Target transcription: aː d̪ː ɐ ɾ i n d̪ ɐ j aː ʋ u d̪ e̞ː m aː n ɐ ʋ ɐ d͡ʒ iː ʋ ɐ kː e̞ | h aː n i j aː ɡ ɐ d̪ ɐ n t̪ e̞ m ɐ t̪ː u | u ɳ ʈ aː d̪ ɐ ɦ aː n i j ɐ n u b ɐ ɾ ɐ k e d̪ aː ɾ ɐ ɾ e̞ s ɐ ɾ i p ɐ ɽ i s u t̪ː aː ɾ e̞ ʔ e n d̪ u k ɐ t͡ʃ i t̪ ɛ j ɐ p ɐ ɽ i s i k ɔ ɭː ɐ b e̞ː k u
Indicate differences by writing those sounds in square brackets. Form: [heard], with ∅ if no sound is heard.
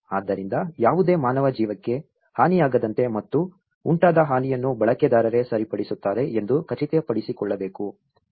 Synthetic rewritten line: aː d̪ː ɐ ɾ i n d̪ ɐ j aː ʋ u d̪ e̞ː m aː n ɐ ʋ ɐ d͡ʒ iː ʋ ɐ kː e̞ | h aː n i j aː ɡ ɐ d̪ ɐ n t̪ e̞ m ɐ t̪ː u | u ɳ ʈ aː d̪ ɐ ɦ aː n i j ɐ [nː] u b ɐ [ɭ] ɐ k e d̪ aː ɾ ɐ ɾ e̞ s ɐ ɾ i p ɐ ɽ i s u t̪ː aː ɾ e̞ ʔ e n d̪ u k ɐ t͡ʃ i t̪ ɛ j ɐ p ɐ ɽ i s i k ɔ ɭː ɐ b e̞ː k u